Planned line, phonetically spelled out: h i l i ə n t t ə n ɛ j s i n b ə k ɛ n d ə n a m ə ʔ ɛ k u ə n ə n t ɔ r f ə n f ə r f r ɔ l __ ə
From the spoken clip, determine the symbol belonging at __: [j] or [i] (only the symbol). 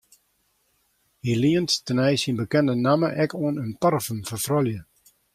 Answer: j